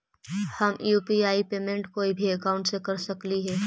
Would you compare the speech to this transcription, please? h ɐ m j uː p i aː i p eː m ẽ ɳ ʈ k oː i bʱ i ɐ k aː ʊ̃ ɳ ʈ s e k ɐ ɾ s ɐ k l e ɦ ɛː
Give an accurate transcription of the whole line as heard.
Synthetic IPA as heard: h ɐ m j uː p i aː i p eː m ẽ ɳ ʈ k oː i bʱ i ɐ k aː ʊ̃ ɳ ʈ s e k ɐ ɾ s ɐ k l i ɦ ɛː